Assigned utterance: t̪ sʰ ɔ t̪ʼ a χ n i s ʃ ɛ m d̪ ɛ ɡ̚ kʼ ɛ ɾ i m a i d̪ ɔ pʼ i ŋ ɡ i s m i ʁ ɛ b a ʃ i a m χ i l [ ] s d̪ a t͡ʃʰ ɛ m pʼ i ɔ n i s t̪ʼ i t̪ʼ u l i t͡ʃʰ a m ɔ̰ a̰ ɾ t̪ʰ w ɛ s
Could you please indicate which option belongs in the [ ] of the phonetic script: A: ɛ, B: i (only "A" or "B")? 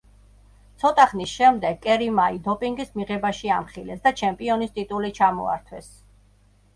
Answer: A